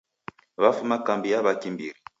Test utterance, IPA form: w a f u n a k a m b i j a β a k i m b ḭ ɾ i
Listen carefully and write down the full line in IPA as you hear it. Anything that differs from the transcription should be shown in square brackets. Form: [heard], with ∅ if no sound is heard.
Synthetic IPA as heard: [β] a f u [m] a k a m b i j a β a k i m b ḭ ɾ i